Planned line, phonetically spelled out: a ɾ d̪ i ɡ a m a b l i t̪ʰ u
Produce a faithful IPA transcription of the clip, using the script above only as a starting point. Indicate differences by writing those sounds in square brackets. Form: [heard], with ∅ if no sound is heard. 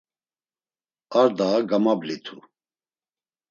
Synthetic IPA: a ɾ d̪ [a] ɡ a m a b l i t̪ʰ u

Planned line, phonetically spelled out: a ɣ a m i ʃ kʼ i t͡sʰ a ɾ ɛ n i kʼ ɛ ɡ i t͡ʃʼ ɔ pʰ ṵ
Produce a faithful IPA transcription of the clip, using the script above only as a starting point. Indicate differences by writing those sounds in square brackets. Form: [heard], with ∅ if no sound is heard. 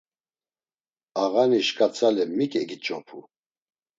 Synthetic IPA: a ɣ a [n] i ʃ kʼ [a] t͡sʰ a [l] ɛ [m] i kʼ ɛ ɡ i t͡ʃʼ ɔ pʰ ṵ

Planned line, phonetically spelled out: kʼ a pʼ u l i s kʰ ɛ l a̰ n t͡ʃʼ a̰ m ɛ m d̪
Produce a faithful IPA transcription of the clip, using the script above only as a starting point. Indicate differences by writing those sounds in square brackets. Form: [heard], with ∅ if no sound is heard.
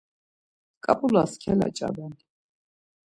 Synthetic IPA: kʼ a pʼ u l [a] s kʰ ɛ l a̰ [∅] t͡ʃʼ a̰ [b] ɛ [n] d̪

